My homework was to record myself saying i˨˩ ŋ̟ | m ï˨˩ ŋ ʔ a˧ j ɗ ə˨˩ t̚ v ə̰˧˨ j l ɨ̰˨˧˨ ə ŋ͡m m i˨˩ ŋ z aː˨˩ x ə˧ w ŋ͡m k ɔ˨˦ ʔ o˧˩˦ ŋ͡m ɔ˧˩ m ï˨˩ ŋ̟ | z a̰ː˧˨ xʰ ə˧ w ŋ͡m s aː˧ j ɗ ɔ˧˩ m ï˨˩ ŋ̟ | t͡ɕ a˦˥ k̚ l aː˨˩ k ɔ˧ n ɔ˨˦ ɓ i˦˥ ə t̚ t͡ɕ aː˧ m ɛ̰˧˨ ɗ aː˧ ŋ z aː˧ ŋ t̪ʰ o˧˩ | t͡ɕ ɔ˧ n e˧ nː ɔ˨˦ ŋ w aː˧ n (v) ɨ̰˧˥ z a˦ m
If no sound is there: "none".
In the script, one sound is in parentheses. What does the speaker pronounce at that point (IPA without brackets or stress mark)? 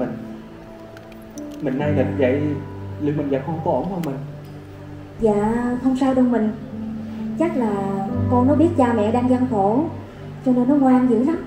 z